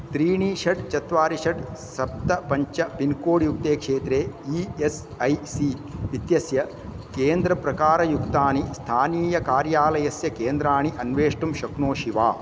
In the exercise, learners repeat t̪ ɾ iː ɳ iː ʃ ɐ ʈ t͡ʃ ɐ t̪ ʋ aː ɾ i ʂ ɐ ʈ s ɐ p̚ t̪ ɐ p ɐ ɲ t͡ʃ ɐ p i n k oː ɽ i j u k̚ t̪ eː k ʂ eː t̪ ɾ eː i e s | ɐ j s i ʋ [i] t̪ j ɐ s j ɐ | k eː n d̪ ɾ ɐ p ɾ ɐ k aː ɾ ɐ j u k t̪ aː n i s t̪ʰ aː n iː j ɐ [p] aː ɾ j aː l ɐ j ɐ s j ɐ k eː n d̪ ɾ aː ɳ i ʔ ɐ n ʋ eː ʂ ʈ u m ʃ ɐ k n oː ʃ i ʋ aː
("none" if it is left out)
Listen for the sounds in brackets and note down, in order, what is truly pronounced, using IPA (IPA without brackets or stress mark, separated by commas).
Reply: i, k